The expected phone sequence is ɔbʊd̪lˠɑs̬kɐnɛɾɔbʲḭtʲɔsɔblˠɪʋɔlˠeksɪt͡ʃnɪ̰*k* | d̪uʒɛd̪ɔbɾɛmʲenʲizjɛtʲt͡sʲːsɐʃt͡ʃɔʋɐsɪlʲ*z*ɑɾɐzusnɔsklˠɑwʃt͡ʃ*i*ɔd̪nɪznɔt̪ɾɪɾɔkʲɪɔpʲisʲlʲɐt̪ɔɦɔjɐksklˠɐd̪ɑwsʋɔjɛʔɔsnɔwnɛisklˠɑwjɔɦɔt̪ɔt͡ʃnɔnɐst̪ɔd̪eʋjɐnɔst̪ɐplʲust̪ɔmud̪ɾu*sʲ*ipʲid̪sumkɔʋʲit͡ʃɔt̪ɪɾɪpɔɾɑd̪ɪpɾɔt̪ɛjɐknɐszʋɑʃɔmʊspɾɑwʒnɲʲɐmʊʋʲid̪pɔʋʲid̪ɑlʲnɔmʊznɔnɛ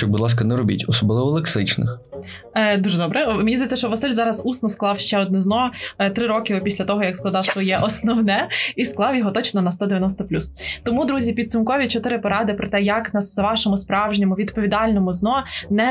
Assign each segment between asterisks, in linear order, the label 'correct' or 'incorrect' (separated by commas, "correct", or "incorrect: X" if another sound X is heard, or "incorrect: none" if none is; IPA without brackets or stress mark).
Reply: incorrect: x, correct, incorrect: ɛ, incorrect: zʲ